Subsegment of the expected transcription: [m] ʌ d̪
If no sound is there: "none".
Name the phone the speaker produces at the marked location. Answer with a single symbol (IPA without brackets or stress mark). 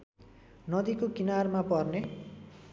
n